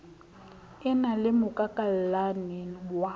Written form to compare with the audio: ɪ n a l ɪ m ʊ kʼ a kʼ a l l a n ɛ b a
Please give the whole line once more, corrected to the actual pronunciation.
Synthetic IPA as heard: ɪ n a l ɪ m ʊ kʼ a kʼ a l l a n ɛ w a